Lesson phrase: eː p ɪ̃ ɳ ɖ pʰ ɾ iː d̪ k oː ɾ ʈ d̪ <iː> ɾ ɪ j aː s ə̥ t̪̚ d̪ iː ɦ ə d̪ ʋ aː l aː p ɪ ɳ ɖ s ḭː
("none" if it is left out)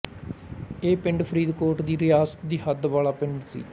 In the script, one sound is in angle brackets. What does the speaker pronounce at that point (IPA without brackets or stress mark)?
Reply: iː